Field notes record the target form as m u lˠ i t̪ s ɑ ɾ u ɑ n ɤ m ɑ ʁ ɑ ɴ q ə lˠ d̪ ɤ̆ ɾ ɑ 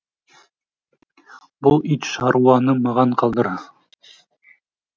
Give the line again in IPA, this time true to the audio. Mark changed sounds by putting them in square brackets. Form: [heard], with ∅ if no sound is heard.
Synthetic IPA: [b] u lˠ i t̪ [ʃ] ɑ ɾ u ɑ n ɤ m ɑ ʁ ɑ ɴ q [ɑ] lˠ d̪ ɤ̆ ɾ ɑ